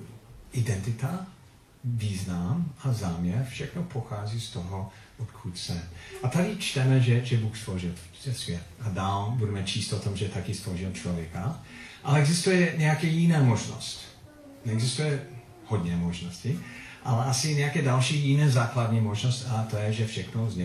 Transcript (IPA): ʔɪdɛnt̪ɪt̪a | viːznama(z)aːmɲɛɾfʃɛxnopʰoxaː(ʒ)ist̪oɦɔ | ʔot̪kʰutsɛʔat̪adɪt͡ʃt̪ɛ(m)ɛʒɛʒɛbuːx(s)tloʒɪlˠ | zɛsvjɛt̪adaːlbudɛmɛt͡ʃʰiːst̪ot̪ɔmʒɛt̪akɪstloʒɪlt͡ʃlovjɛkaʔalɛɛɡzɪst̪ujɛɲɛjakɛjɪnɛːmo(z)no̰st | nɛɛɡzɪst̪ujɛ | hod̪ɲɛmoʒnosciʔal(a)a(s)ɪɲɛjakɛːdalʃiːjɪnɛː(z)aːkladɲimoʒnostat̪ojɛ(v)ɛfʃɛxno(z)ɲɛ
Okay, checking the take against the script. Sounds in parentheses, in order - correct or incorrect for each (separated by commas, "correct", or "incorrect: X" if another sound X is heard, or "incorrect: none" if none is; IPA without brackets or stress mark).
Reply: correct, incorrect: z, correct, correct, incorrect: ʒ, incorrect: ɛ, correct, correct, incorrect: ʒ, correct